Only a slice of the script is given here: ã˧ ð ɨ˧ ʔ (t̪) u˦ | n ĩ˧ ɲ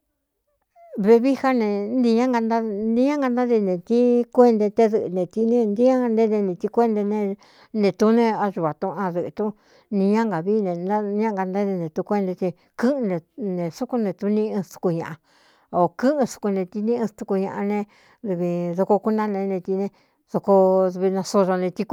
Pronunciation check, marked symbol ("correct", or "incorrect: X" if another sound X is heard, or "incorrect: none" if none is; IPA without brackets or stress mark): correct